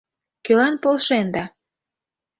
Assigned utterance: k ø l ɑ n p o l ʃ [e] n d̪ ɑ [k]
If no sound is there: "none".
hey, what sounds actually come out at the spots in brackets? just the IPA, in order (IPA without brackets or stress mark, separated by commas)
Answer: e, none